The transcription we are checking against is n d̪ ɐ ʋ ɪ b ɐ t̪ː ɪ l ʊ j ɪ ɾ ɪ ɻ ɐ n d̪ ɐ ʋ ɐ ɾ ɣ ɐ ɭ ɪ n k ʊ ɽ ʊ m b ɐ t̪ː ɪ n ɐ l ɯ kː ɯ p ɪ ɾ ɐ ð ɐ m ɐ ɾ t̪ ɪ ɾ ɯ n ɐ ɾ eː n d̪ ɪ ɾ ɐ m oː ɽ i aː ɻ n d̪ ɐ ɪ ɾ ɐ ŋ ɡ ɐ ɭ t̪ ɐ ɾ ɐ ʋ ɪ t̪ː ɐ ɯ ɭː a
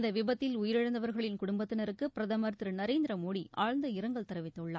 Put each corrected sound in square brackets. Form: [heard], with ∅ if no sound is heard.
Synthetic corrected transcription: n d̪ ɐ ʋ ɪ b ɐ t̪ː ɪ l ʊ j ɪ ɾ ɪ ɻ ɐ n d̪ ɐ ʋ ɐ ɾ ɣ ɐ ɭ ɪ n k ʊ ɽ ʊ m b ɐ t̪ː ɪ n ɐ [ɾ] ɯ kː ɯ p ɪ ɾ ɐ ð ɐ m ɐ ɾ t̪ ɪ ɾ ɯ n ɐ ɾ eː n d̪ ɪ ɾ ɐ m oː ɽ i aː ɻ n d̪ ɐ ɪ ɾ ɐ ŋ ɡ ɐ ɭ t̪ ɐ ɾ ɐ ʋ ɪ t̪ː ɐ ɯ ɭː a

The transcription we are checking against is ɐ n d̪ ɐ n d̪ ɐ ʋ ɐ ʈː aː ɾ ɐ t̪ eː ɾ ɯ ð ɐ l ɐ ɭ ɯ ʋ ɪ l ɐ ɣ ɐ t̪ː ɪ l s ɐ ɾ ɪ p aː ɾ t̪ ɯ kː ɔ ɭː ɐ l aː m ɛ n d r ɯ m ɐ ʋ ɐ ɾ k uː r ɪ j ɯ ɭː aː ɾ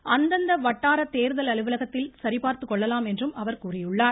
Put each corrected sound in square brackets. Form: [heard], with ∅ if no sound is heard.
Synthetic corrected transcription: ɐ n d̪ ɐ n d̪ ɐ ʋ ɐ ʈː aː ɾ ɐ t̪ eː ɾ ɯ ð ɐ l ɐ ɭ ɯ ʋ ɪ l ɐ ɣ ɐ t̪ː ɪ l s ɐ ɾ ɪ p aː ɾ t̪ ɯ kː ɔ ɭː ɐ l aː m ɛ n d r ɯ m ɐ ʋ ɐ ɾ k uː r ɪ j ɯ ɭː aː ɾ

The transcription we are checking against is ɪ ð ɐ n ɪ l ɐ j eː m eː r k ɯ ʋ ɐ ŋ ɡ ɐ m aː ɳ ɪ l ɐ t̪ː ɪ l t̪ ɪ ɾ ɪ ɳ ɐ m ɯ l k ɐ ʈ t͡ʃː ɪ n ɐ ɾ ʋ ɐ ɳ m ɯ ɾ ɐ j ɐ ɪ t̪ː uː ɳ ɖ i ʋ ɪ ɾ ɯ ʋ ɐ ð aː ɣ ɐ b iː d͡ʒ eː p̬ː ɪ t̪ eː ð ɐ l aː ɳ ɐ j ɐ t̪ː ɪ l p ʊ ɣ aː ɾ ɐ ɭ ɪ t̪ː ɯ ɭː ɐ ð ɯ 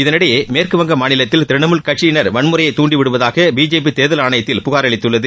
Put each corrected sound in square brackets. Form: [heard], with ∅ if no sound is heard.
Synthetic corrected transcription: ɪ ð ɐ n ɪ [ɽ] ɐ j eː m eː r k ɯ ʋ ɐ ŋ ɡ ɐ m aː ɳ ɪ l ɐ t̪ː ɪ l t̪ ɪ ɾ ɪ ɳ ɐ m ɯ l k ɐ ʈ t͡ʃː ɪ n ɐ ɾ ʋ ɐ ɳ m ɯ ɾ ɐ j ɐ ɪ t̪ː uː ɳ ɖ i ʋ ɪ [ɽ] ɯ ʋ ɐ ð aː ɣ ɐ b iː d͡ʒ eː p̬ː [i] t̪ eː ð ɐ l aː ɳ ɐ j ɐ t̪ː ɪ l p ʊ ɣ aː ɾ ɐ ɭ ɪ t̪ː ɯ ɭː ɐ ð ɯ

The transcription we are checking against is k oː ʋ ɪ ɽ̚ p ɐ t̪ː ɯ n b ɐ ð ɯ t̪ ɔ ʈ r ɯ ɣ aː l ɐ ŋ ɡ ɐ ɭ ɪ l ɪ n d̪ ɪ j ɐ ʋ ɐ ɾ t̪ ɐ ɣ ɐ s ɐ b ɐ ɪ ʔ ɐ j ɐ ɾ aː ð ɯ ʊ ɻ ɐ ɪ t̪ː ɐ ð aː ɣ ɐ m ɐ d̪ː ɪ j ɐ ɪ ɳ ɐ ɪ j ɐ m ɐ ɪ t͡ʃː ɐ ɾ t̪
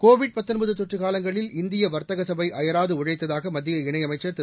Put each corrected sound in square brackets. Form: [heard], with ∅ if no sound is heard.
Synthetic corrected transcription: k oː ʋ ɪ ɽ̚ p ɐ t̪ː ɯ n b ɐ ð ɯ t̪ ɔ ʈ r ɯ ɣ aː l ɐ ŋ ɡ ɐ ɭ ɪ l ɪ n d̪ ɪ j ɐ ʋ ɐ ɾ t̪ ɐ ɣ ɐ s ɐ b ɐ ɪ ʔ ɐ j ɐ ɾ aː ð ɯ ʊ ɻ ɐ ɪ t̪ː ɐ ð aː ɣ ɐ m ɐ d̪ː ɪ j ɐ ɪ ɳ ɐ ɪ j ɐ m ɐ ɪ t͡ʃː ɐ ɾ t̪

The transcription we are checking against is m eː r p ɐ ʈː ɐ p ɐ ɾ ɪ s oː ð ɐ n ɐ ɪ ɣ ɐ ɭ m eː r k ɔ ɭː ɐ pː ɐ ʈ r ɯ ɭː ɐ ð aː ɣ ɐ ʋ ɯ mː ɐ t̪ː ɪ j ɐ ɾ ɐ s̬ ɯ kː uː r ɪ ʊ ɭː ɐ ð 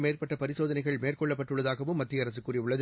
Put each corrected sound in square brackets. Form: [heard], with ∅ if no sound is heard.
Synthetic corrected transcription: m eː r p ɐ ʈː ɐ p ɐ ɾ ɪ s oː ð ɐ n ɐ ɪ ɣ ɐ ɭ m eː r k ɔ ɭː ɐ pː ɐ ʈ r ɯ ɭː ɐ ð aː ɣ ɐ ʋ ɯ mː ɐ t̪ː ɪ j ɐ ɾ ɐ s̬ ɯ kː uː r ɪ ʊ ɭː ɐ ð

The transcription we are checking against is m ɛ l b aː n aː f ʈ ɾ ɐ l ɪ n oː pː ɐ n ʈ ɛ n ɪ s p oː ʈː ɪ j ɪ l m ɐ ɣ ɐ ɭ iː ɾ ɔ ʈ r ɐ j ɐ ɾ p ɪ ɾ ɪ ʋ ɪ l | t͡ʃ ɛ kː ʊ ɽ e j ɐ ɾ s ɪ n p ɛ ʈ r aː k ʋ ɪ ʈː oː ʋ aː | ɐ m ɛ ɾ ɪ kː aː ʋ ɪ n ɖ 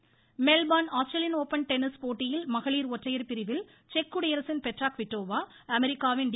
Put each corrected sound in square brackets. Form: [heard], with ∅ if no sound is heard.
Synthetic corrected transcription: m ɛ l b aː n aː [s] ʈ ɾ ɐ l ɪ n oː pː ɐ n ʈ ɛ n ɪ s p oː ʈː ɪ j ɪ l m ɐ ɣ ɐ ɭ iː ɾ ɔ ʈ r ɐ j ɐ ɾ p ɪ ɾ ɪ ʋ ɪ l | t͡ʃ ɛ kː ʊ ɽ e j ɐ ɾ s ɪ n p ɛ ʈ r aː k ʋ ɪ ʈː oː ʋ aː | ɐ m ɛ ɾ ɪ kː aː ʋ ɪ n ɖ

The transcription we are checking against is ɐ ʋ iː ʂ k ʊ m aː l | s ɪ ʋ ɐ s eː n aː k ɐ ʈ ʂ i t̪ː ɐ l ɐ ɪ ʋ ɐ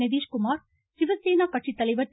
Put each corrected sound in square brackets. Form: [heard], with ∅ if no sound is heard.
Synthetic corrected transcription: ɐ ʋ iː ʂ k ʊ m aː [ɾ] | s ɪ ʋ ɐ s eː n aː k ɐ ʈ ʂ i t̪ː ɐ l ɐ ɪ ʋ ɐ

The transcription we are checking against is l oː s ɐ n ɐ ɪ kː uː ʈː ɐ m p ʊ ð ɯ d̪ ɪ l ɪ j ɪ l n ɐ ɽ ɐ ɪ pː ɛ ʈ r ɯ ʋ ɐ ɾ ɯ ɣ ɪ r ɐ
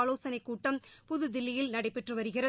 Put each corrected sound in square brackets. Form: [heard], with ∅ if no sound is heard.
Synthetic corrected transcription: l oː s ɐ n ɐ ɪ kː uː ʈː ɐ m p ʊ ð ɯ d̪ ɪ [lː] ɪ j ɪ l n ɐ ɽ ɐ ɪ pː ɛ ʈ r ɯ ʋ ɐ ɾ ɯ ɣ ɪ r ɐ

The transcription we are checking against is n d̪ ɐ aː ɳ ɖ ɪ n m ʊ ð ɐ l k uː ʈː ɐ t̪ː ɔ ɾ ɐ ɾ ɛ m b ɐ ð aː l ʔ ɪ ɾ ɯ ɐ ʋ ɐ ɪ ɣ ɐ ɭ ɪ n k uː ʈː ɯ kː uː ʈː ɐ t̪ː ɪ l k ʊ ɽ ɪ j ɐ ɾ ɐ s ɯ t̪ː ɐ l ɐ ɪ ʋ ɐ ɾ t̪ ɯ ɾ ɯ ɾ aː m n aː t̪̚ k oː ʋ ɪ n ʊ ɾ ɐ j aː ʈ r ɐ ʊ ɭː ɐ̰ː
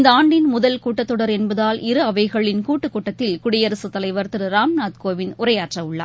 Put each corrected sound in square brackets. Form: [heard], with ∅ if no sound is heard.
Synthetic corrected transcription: n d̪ ɐ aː ɳ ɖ ɪ n m ʊ ð ɐ l k uː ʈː ɐ t̪ː ɔ [ɽ] ɐ ɾ ɛ [n] b ɐ ð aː l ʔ ɪ ɾ ɯ ɐ ʋ ɐ ɪ ɣ ɐ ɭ ɪ n k uː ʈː ɯ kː uː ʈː ɐ t̪ː ɪ l k ʊ ɽ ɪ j ɐ ɾ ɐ s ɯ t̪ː ɐ l ɐ ɪ ʋ ɐ ɾ t̪ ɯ ɾ ɯ ɾ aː m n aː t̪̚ k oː ʋ ɪ n ʊ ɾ ɐ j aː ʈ r ɐ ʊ ɭː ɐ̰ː

